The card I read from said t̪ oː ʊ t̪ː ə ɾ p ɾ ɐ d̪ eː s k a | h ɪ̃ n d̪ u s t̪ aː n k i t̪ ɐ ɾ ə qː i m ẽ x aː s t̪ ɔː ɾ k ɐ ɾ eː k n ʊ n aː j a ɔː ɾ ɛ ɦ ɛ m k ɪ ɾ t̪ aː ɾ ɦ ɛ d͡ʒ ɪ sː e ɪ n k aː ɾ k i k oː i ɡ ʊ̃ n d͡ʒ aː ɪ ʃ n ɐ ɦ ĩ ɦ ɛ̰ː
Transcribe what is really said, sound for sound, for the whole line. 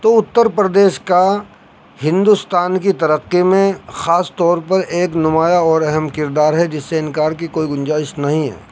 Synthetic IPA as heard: t̪ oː ʊ t̪ː ə ɾ p ɾ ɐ d̪ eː ʃ k a | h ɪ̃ n d̪ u s t̪ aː n k i t̪ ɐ ɾ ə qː i m ẽ x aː s t̪ ɔː ɾ p ɐ ɾ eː k n ʊ m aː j a ɔː ɾ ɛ ɦ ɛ m k ɪ ɾ d̪ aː ɾ ɦ ɛ d͡ʒ ɪ sː e ɪ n k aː ɾ k i k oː i ɡ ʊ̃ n d͡ʒ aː ɪ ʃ n ɐ ɦ ĩ ɦ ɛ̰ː